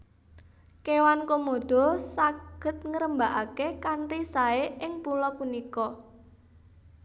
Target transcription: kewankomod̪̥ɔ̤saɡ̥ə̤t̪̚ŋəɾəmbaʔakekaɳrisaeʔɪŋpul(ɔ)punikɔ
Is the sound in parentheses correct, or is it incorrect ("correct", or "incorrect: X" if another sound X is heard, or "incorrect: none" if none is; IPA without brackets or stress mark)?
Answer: correct